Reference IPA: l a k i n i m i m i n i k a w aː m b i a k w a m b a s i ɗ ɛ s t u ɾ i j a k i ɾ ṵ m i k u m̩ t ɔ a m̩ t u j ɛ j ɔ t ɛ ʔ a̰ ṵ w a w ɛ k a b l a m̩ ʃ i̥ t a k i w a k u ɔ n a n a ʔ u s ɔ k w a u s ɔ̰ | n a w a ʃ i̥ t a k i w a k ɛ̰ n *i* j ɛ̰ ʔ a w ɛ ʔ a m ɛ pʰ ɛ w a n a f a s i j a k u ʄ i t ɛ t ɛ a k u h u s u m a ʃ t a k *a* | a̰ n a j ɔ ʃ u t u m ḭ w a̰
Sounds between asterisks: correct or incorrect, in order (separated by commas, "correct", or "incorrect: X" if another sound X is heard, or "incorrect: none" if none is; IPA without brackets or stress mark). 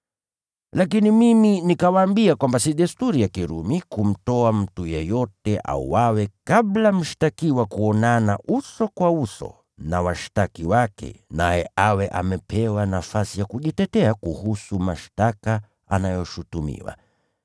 incorrect: a, correct